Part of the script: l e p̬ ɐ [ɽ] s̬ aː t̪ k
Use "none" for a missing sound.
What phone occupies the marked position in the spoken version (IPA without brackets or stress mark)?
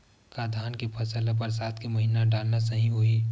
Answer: ɾ